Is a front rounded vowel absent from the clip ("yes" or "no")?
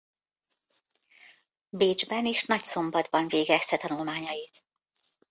yes